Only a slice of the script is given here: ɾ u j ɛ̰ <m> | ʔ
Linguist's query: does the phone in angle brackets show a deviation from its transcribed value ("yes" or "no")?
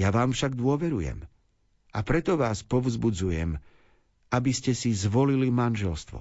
no